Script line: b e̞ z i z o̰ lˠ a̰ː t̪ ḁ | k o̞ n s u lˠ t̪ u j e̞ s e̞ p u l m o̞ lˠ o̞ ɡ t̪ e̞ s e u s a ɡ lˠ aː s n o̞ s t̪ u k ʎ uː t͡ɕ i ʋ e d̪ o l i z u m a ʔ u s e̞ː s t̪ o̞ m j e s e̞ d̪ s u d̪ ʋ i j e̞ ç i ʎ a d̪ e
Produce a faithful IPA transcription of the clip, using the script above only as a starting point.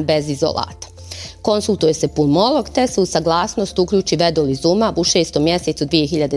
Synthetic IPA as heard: b e̞ z i z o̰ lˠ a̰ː t̪ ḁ | k o̞ n s u lˠ t̪ u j e̞ s e̞ p u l m o̞ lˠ o̞ ɡ t̪ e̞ s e u s a ɡ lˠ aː s n o̞ s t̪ u k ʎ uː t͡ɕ i ʋ e d̪ o l i z u m a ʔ u ʃ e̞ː s t̪ o̞ m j e s e̞ t̪ s u d̪ ʋ i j e̞ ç i ʎ a d̪ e